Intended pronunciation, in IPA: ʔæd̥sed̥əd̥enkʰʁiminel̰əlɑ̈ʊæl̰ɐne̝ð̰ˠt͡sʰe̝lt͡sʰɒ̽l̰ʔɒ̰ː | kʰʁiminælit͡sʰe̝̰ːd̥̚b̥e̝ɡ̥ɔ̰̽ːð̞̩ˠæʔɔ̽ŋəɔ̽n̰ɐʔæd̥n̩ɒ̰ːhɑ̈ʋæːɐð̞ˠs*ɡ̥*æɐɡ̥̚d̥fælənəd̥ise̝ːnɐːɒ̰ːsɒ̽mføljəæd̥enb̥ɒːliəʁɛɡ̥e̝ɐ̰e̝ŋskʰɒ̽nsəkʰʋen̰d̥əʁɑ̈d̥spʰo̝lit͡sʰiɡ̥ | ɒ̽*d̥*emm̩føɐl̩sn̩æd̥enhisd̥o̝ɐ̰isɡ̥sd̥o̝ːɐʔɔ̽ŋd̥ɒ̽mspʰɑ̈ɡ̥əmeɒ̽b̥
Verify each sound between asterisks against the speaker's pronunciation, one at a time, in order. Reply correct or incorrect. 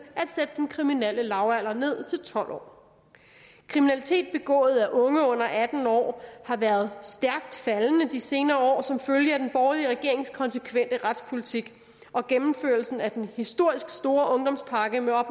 incorrect: d̥, incorrect: ɡ̥

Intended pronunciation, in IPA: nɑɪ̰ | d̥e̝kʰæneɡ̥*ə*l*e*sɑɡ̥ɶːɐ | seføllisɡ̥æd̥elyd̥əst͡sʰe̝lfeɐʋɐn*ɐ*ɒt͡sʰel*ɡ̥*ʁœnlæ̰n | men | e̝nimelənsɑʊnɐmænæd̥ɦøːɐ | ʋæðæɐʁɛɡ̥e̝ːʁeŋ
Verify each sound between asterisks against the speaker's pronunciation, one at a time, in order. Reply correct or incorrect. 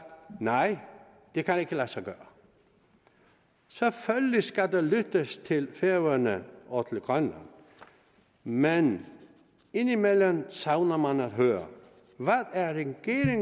correct, incorrect: æ, incorrect: ə, correct

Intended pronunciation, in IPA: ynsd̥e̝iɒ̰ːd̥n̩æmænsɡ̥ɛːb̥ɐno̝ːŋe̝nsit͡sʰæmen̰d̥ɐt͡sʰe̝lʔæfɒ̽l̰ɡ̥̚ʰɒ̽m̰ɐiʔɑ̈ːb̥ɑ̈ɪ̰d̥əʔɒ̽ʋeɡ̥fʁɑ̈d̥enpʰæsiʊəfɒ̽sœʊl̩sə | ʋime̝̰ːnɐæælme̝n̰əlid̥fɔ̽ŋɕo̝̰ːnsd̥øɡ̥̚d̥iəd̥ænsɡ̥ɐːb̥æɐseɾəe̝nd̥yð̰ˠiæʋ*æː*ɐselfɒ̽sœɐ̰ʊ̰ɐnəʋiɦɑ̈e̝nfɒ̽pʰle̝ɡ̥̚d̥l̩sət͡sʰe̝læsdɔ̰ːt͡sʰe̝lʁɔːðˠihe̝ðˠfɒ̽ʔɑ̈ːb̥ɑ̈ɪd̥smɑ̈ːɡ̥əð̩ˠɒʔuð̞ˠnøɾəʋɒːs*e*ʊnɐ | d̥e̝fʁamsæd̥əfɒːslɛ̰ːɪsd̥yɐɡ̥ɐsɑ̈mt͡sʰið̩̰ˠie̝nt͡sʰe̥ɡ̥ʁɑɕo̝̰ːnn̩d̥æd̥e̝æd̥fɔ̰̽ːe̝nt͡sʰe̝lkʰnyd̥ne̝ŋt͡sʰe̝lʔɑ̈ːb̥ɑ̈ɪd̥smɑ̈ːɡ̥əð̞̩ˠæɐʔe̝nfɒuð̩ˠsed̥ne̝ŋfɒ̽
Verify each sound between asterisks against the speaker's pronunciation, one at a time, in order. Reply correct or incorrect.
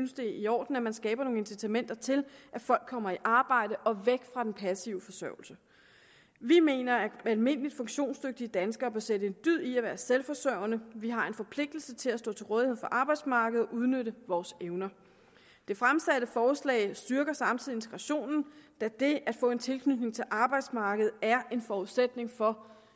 correct, correct

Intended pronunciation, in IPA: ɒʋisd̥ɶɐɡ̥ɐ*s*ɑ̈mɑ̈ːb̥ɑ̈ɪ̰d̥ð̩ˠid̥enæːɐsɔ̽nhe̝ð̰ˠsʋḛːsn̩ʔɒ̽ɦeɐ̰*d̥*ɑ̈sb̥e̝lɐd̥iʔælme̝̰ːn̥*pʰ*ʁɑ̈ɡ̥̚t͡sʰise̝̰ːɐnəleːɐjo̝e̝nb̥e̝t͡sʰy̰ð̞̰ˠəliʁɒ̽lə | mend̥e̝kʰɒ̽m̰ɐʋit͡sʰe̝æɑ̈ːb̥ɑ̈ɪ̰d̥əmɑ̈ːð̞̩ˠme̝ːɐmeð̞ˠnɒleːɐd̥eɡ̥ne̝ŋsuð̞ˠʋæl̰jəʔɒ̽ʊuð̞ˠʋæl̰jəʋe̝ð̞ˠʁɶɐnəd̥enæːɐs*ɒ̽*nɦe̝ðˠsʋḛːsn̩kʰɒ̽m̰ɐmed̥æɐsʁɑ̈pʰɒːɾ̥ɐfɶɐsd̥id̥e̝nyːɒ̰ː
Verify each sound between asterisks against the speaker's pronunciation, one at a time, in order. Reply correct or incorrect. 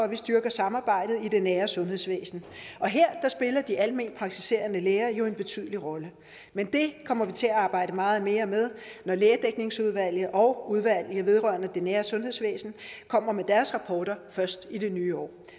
correct, correct, correct, incorrect: ɔ̽

